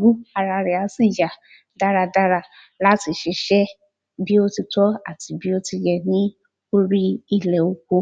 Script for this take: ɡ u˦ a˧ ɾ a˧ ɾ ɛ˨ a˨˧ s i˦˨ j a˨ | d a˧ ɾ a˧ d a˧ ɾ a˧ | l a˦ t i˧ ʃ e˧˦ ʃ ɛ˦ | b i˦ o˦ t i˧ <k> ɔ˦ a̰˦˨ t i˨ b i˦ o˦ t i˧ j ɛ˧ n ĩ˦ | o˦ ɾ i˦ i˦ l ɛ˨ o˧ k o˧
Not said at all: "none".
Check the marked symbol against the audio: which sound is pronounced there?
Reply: t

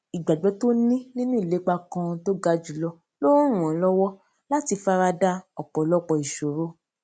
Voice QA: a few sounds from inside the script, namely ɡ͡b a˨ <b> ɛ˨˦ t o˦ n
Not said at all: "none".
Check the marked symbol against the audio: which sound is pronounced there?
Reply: ɡ͡b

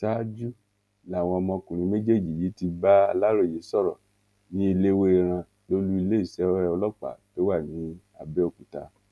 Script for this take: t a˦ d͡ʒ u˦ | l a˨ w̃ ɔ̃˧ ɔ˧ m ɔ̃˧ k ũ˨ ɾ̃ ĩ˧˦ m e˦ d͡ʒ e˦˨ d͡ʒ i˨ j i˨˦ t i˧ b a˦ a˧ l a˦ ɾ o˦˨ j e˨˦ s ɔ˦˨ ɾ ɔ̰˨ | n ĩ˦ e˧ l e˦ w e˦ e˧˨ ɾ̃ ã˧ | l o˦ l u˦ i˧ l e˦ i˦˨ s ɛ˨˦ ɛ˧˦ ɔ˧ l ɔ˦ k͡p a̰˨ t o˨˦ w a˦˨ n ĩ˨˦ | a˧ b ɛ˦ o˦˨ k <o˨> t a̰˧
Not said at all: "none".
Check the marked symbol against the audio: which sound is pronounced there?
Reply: u˨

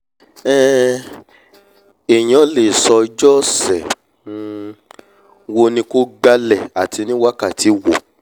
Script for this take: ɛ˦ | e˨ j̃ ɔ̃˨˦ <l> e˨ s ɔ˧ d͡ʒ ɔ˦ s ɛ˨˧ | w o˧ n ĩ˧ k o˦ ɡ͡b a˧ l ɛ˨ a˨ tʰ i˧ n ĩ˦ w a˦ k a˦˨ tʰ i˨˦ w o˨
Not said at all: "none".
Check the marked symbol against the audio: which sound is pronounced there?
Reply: l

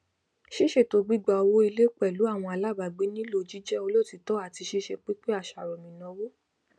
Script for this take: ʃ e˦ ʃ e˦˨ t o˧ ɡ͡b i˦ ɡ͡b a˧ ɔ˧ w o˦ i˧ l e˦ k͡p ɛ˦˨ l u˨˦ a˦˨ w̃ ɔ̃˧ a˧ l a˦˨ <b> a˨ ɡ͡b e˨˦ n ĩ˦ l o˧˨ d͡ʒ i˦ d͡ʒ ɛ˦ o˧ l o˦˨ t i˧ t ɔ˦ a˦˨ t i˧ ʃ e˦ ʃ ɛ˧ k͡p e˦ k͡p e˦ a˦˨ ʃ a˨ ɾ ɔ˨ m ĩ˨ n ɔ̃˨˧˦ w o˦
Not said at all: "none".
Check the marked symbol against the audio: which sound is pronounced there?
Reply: b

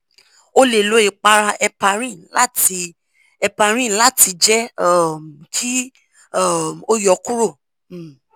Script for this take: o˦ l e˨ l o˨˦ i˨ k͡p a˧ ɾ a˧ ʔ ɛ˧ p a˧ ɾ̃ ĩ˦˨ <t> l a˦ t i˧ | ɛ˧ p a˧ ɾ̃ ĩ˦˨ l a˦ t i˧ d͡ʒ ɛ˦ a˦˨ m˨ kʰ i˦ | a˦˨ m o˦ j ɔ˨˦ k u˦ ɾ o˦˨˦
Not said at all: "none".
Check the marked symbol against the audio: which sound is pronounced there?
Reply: none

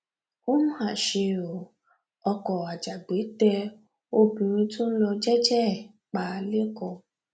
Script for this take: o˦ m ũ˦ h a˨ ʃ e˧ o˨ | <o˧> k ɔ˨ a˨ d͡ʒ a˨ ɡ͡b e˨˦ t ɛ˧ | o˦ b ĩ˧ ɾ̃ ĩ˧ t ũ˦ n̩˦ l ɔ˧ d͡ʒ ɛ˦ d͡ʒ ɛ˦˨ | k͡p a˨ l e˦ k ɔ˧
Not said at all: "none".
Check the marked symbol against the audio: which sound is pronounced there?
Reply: ɔ˧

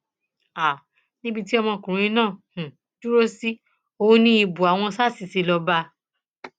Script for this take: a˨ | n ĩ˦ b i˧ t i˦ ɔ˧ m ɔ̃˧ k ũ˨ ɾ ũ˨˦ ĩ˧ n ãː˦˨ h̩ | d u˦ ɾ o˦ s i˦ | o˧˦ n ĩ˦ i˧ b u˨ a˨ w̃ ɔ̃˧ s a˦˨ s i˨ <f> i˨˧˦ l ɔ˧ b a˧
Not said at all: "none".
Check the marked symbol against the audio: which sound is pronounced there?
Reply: s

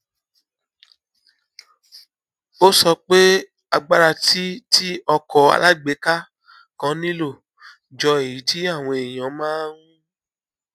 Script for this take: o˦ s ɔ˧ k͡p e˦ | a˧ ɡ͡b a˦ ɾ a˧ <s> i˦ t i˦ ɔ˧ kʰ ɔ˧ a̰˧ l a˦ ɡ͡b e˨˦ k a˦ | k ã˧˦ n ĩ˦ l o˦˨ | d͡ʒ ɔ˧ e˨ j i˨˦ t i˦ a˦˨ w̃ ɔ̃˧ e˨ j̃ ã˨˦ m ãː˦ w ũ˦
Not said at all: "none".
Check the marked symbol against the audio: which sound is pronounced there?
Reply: t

